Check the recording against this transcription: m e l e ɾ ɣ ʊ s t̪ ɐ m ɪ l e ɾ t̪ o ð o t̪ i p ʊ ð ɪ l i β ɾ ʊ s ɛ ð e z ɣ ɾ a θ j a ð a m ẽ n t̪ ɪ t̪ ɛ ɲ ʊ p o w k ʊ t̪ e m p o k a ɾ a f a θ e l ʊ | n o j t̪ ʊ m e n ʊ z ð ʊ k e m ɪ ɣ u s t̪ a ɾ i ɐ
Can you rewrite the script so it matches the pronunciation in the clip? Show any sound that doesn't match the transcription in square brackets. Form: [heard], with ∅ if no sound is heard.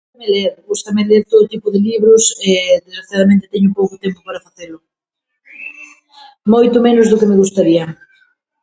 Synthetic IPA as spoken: m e l e ɾ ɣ [u] s t̪ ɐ m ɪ l e ɾ t̪ o ð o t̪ i p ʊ ð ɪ l i β ɾ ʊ s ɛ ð e z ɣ ɾ a θ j a ð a m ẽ n t̪ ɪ t̪ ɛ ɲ ʊ p o w k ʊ t̪ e m p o [p] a ɾ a f a θ e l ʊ | [m] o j t̪ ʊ m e n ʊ z ð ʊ k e m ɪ ɣ u s t̪ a ɾ i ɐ